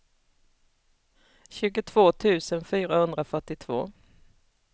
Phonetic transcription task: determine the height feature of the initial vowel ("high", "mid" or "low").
high